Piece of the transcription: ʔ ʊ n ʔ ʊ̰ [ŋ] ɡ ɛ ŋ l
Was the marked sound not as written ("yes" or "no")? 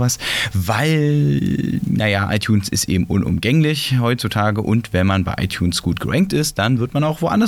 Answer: yes